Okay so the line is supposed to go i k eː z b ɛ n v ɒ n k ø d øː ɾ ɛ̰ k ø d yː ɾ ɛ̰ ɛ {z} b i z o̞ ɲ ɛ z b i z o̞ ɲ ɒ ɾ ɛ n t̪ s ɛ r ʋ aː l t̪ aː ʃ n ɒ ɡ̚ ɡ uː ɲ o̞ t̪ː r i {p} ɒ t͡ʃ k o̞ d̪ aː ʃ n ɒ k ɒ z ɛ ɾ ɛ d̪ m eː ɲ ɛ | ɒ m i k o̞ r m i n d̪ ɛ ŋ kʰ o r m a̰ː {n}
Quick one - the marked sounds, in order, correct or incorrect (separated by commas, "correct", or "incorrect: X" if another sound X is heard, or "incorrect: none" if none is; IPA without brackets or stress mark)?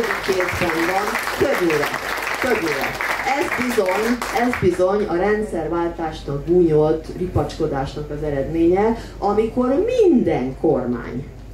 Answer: correct, correct, incorrect: ɲ